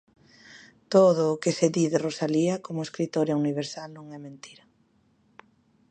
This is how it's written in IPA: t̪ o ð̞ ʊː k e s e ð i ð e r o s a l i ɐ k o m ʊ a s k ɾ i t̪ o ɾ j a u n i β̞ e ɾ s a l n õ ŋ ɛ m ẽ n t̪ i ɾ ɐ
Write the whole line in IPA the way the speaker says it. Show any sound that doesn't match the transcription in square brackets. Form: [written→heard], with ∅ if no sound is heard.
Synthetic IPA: t̪ o ð̞ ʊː k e s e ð i ð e r o s a l i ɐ k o m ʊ [a→e] s k ɾ i t̪ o ɾ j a u n i β̞ e ɾ s a l n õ ŋ ɛ m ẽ n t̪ i ɾ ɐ